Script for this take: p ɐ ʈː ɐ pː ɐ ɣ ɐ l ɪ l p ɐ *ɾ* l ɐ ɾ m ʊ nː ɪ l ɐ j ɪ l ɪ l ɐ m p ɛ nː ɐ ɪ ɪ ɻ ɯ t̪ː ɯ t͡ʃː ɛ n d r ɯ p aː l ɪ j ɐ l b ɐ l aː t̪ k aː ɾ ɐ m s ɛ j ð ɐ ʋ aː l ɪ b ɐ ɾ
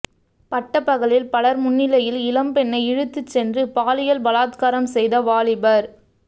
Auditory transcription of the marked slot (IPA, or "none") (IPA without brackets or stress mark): none